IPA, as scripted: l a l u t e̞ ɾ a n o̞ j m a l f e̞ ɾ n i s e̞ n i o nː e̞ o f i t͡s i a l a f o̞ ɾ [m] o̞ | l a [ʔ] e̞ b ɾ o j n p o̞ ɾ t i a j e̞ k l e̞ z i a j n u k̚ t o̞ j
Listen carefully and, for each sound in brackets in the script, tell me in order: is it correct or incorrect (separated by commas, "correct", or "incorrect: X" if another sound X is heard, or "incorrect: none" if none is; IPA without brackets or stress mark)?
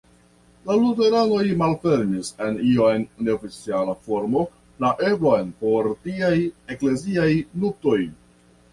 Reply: correct, correct